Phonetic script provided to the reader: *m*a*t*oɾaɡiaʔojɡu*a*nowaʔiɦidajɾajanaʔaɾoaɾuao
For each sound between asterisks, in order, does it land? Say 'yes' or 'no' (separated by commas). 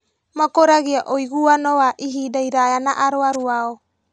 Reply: yes, no, yes